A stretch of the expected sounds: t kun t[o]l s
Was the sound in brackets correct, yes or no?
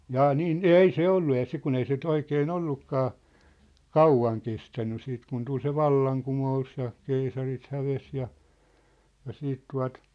no